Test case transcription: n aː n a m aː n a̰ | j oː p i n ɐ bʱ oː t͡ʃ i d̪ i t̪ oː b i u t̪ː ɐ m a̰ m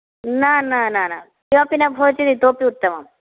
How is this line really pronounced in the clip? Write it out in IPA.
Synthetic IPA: n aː n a n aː n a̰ | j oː p i n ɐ bʱ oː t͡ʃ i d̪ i t̪ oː p i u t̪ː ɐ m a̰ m